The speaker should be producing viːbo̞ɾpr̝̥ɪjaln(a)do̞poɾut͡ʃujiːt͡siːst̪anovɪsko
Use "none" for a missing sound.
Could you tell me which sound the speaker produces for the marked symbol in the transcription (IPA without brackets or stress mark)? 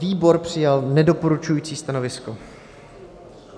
ɛ